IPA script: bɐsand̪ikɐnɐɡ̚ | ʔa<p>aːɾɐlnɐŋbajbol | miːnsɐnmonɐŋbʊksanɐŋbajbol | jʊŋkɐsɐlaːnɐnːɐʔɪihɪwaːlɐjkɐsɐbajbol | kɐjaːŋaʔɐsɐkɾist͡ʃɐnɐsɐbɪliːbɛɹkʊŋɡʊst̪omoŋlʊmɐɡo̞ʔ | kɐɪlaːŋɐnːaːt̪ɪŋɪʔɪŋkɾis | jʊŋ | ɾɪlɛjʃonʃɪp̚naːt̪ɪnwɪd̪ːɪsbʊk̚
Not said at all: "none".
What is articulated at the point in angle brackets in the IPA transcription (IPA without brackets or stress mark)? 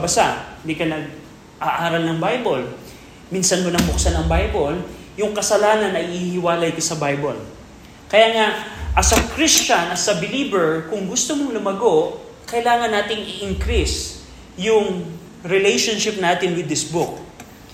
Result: ʔ